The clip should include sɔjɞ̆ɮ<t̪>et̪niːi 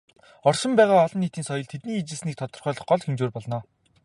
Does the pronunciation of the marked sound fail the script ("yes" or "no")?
yes